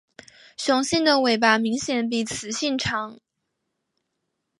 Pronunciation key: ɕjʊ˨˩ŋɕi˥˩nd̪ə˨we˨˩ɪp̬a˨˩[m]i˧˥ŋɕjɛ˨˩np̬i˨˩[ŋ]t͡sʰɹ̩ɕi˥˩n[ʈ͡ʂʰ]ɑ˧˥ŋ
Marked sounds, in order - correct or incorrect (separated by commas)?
correct, incorrect, correct